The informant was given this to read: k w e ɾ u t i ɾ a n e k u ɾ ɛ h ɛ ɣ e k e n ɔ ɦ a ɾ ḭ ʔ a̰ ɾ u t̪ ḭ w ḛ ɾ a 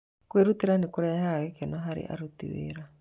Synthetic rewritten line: k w e ɾ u t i ɾ a n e k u ɾ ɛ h a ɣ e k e n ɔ ɦ a ɾ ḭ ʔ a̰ ɾ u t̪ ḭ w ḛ ɾ a